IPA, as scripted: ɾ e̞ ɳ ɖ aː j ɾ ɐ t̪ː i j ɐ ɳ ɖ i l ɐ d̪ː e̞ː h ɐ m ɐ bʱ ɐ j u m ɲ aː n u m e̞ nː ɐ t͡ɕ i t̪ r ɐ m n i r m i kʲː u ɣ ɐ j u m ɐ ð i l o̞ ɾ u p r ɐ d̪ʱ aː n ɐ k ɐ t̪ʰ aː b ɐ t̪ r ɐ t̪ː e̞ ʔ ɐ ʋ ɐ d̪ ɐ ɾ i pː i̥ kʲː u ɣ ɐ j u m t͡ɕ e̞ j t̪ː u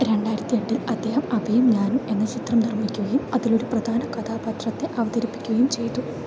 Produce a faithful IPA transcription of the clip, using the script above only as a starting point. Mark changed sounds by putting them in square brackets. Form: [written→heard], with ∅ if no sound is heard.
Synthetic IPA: ɾ e̞ ɳ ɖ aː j ɾ ɐ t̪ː i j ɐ ɳ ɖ i l ɐ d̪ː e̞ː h ɐ m ɐ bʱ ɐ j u m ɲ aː n u m e̞ nː ɐ t͡ɕ i t̪ r ɐ m n i r m i kʲː u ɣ ɐ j u m ɐ ð i l o̞ ɾ u p r ɐ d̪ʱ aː n ɐ k ɐ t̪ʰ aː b ɐ t̪ r ɐ t̪ː e̞ ʔ ɐ ʋ ɐ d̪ ɐ ɾ i pː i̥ kʲː u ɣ ɐ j u m t͡ɕ e̞ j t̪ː u